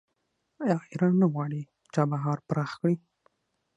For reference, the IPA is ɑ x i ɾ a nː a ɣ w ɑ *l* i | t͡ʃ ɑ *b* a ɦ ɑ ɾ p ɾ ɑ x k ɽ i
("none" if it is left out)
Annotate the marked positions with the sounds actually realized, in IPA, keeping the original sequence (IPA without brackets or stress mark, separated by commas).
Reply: ɽ, b